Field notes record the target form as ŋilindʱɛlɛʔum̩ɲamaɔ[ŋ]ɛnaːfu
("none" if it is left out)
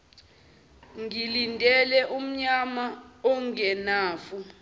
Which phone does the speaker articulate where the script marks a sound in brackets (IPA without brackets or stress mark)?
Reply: ŋ